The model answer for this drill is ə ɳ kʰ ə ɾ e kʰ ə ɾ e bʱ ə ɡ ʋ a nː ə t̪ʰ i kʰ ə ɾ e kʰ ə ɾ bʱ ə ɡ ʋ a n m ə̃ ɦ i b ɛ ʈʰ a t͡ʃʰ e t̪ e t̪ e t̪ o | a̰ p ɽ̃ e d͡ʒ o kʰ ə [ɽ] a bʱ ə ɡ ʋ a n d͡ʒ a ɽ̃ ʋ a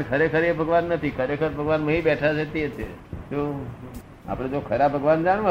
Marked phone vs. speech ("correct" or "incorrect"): incorrect